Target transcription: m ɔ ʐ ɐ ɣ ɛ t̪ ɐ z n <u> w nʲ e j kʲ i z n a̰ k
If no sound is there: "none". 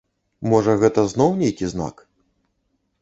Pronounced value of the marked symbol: ɔ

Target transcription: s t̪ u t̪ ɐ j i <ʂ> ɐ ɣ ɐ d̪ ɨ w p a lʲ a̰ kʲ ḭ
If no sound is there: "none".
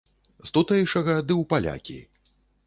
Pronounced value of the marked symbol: ʂ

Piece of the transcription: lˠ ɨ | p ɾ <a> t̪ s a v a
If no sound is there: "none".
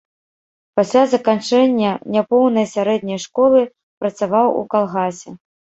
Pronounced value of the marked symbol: ɐ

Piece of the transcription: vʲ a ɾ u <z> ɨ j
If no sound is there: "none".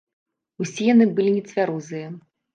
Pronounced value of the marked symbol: z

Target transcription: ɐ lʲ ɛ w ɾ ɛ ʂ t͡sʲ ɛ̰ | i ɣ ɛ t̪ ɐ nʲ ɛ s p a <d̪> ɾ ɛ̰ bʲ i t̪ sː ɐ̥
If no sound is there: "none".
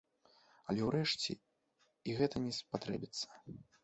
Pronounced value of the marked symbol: t̪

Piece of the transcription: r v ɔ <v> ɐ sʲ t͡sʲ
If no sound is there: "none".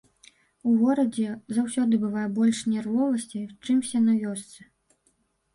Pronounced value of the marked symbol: v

